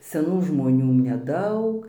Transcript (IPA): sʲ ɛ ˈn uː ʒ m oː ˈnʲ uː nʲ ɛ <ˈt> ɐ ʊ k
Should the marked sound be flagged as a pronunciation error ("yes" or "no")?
yes